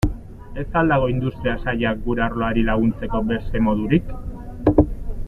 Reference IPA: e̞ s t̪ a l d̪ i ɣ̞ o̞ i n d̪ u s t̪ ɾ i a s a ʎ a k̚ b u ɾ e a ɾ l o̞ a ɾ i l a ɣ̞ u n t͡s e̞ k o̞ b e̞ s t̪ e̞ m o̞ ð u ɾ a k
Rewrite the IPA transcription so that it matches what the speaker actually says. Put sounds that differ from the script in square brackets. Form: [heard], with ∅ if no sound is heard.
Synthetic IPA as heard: e̞ s t̪ a l d̪ [a] ɣ̞ o̞ i n d̪ u s t̪ ɾ i a s a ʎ a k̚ [ɡ] u ɾ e a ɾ l o̞ a ɾ i l a ɣ̞ u n t͡s e̞ k o̞ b e̞ s t̪ e̞ m o̞ ð u ɾ [i] k